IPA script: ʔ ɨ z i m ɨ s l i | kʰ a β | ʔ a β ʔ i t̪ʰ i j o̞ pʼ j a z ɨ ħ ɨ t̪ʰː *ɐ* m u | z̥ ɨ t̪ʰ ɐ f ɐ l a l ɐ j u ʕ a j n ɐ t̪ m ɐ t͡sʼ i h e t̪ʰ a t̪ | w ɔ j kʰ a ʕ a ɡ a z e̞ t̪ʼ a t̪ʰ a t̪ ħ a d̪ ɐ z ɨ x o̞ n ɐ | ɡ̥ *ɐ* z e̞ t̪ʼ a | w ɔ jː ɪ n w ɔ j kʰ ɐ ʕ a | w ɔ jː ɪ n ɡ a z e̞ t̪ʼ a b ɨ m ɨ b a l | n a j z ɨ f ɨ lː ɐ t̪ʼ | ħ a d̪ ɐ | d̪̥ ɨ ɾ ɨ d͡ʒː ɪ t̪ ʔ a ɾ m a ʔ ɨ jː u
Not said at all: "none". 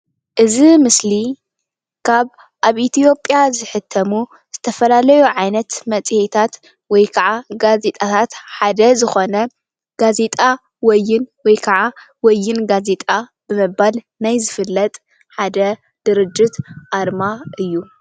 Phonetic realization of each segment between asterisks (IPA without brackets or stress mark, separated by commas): ɐ, a